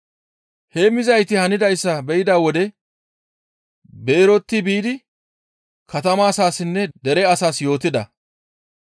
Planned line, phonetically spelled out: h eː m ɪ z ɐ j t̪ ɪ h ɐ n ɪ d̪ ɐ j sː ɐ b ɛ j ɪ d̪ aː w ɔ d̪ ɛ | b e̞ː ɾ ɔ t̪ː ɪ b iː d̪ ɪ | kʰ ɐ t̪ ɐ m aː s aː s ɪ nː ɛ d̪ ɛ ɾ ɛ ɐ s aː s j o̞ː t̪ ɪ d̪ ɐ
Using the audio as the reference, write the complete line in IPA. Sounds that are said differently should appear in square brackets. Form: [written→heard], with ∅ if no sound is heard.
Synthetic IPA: h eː m ɪ z ɐ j t̪ ɪ h ɐ n ɪ d̪ ɐ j sː ɐ b ɛ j ɪ d̪ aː w ɔ d̪ ɛ | b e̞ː ɾ ɔ t̪ː ɪ b iː d̪ ɪ | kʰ ɐ t̪ ɐ m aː s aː s ɪ nː ɛ d̪ ɛ ɾ ɛ ɐ s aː s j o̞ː t̪ ɪ d̪ ɐ